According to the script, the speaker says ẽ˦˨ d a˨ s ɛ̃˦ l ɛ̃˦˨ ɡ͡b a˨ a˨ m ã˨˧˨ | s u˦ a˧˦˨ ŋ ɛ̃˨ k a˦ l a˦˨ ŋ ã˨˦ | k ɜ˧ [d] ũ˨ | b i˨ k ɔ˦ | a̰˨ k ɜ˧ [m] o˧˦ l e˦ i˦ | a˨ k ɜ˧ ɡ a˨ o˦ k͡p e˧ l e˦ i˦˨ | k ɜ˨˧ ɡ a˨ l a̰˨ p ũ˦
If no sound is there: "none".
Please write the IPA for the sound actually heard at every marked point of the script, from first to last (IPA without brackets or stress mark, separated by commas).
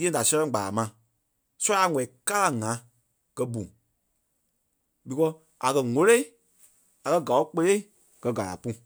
b, ŋ